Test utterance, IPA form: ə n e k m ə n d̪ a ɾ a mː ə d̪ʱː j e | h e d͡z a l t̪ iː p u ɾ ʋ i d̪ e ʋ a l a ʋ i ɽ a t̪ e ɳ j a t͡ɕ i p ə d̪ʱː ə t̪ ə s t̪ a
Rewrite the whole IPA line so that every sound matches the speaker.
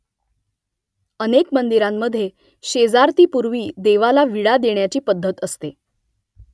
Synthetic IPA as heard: ə n e k m ə n d̪ i ɾ a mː ə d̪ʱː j e | ɕ e d͡z a ɾ t̪ iː p u ɾ ʋ iː d̪ e ʋ a l a ʋ i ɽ a d̪ e ɳ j a t͡ɕ iː p ə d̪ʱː ə t̪ ə s t̪ e